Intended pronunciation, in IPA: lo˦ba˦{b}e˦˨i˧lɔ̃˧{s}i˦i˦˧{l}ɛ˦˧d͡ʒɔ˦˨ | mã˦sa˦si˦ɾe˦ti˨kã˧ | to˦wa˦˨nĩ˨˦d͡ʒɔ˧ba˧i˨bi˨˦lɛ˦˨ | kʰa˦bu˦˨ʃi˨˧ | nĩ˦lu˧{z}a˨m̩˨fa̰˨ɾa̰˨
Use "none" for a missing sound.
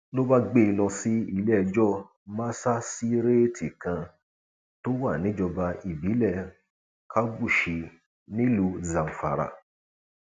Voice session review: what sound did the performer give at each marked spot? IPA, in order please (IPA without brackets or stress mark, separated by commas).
ɡ͡b, s, l, z